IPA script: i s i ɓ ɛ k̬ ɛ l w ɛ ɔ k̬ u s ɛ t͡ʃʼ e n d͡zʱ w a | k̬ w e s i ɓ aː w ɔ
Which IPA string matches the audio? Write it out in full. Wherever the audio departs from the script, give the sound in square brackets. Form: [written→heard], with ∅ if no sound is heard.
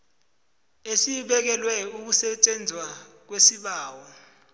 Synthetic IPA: [i→e] s i ɓ ɛ k̬ ɛ l w ɛ [ɔ→u] k̬ u s ɛ t͡ʃʼ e n d͡zʱ w a | k̬ w e s i ɓ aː w ɔ